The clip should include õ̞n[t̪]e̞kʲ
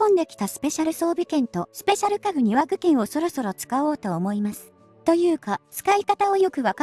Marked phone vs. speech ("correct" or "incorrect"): incorrect